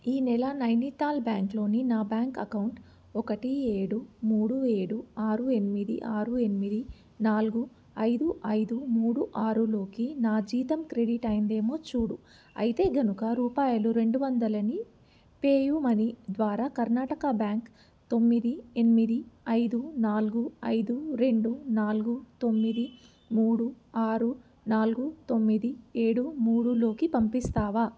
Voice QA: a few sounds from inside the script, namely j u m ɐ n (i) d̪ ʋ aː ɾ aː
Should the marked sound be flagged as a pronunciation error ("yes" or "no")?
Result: no